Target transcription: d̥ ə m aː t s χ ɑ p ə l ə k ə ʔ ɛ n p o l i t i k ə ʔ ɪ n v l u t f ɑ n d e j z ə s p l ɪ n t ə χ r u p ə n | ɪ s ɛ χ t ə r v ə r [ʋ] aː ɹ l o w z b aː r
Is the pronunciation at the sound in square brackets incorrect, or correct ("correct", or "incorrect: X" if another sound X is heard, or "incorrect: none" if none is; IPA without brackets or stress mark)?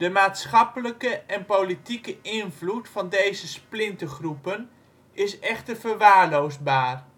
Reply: correct